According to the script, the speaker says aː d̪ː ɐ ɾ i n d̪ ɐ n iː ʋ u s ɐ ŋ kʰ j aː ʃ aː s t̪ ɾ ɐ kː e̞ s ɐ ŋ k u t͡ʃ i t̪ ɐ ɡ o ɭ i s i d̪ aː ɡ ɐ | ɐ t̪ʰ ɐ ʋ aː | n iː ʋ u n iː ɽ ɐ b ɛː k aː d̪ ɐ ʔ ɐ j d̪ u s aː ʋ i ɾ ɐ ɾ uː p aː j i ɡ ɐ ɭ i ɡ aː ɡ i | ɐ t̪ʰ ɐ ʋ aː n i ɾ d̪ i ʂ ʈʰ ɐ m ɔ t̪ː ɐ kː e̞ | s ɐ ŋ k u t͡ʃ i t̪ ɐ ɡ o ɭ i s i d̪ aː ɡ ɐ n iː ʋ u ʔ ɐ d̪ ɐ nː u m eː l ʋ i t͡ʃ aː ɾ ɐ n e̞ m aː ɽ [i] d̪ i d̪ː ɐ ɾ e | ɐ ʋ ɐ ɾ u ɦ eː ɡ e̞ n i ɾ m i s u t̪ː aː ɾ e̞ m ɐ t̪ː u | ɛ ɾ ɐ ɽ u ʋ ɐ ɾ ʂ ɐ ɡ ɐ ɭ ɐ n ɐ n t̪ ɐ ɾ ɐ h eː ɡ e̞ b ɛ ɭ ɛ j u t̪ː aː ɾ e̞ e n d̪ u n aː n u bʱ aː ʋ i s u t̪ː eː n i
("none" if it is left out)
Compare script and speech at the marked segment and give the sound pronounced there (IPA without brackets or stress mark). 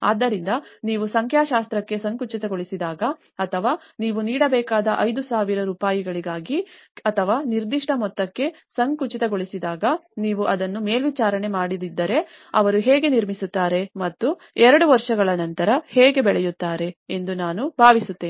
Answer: i